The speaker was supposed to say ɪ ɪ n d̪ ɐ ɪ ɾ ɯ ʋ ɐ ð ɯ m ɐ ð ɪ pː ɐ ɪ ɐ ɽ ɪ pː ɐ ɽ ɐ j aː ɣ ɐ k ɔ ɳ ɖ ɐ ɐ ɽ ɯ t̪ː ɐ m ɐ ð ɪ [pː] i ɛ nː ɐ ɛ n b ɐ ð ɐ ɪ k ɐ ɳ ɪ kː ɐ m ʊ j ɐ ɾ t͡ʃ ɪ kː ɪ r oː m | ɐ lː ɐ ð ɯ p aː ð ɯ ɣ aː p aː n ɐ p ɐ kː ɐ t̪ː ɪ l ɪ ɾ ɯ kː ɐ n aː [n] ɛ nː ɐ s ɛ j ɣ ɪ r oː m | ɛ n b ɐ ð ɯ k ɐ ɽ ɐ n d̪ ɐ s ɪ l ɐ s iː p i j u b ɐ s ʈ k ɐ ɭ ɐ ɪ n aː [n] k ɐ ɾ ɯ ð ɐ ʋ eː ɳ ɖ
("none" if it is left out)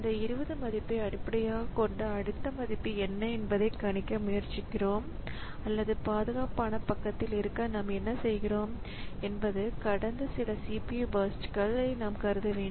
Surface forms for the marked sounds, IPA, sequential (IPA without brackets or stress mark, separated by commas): pː, m, m